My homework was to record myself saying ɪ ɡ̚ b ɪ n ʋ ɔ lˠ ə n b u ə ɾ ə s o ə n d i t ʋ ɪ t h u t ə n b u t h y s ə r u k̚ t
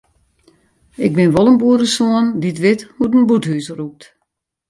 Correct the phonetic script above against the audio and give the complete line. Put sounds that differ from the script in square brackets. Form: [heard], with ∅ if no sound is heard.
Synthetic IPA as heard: ɪ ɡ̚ b ɪ n ʋ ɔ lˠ ə n b u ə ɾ ə s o ə n d i t ʋ ɪ t h u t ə n b u t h y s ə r u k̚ t